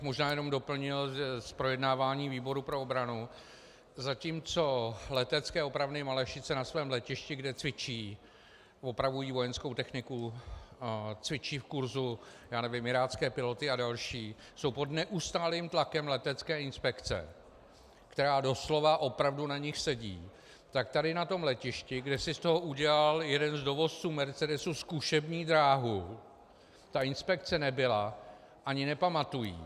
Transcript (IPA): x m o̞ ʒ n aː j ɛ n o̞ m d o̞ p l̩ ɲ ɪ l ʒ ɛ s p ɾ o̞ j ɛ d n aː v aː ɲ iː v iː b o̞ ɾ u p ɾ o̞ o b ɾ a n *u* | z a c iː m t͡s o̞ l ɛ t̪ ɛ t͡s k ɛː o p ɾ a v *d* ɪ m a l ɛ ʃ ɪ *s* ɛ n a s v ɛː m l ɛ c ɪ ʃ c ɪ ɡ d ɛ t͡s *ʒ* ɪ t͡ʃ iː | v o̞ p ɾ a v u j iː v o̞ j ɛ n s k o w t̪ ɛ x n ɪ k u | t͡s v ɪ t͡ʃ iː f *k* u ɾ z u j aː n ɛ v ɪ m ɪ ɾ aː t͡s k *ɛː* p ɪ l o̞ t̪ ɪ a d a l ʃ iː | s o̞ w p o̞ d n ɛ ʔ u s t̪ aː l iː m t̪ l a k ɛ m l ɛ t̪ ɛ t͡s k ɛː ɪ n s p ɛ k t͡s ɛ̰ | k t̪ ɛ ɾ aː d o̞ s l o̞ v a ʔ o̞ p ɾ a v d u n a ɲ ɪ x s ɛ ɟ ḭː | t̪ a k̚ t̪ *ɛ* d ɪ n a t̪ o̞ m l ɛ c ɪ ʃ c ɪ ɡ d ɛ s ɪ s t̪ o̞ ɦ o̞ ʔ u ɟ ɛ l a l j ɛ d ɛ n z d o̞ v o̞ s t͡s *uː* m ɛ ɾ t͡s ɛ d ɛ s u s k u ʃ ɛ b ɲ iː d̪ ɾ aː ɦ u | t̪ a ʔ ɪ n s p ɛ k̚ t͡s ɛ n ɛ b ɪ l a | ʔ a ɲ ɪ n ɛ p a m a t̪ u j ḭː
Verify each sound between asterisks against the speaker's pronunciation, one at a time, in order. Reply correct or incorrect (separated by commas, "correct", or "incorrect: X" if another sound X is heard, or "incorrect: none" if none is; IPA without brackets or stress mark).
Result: correct, incorrect: n, incorrect: t͡s, incorrect: v, correct, correct, incorrect: a, correct